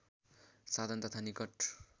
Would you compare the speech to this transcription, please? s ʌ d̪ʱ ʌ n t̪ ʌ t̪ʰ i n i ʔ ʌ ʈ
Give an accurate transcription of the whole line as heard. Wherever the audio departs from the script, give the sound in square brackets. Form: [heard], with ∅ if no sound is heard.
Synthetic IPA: s [a] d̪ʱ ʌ n t̪ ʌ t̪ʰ [a] n i [k] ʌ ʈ